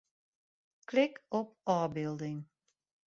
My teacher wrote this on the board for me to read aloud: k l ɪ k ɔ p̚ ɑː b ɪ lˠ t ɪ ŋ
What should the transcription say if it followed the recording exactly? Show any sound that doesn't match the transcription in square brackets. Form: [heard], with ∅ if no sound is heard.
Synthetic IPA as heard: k l ɪ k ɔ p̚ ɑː b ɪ lˠ [d] ɪ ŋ